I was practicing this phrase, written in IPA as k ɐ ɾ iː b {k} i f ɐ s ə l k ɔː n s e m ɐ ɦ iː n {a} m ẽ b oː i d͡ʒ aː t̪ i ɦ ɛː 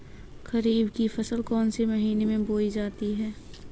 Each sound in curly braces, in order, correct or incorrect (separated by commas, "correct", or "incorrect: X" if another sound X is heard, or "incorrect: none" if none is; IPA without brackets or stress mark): correct, incorrect: e